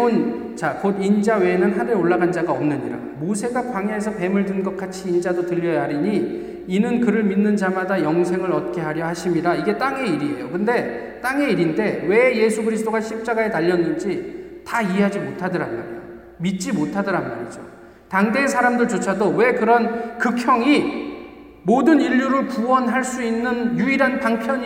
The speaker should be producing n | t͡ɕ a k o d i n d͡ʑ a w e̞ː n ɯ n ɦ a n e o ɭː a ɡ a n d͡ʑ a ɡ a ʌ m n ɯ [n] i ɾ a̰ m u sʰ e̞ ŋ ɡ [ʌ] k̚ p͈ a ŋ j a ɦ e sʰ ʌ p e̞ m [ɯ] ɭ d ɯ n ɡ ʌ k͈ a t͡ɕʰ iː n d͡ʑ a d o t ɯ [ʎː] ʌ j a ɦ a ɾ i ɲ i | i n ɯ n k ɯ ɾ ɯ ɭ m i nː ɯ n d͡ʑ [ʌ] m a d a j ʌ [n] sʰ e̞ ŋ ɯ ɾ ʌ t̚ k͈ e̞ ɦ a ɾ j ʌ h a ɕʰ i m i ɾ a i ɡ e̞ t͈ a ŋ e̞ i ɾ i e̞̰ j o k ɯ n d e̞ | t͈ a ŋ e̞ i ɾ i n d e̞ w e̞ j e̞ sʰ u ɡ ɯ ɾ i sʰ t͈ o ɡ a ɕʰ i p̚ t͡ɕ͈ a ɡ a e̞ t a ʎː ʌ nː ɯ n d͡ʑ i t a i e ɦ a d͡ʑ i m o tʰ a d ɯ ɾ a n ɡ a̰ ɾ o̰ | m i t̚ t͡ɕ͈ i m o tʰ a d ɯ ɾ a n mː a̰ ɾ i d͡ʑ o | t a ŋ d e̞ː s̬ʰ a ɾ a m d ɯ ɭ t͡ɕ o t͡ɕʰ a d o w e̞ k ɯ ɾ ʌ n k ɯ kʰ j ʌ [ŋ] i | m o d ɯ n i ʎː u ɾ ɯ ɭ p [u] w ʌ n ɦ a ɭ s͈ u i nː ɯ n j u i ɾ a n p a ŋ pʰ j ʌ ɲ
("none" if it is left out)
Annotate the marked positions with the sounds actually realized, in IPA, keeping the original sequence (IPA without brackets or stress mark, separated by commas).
ɲ, a, ɯ, ʎː, a, ŋ, ŋ, u